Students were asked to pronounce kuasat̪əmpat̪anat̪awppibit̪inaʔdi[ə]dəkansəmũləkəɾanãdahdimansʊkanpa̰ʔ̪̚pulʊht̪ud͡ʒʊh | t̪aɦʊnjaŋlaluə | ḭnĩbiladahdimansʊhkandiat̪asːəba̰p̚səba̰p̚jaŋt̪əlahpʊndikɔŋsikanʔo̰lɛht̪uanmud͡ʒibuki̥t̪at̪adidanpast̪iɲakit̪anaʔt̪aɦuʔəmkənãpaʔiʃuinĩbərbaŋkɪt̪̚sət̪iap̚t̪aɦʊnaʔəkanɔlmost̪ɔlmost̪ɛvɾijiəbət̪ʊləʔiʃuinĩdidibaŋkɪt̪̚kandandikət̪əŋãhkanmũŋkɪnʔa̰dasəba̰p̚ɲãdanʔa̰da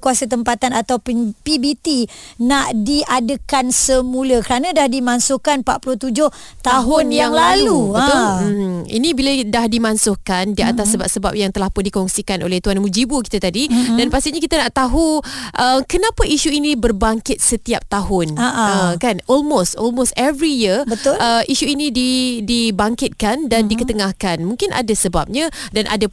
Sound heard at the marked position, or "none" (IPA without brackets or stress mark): a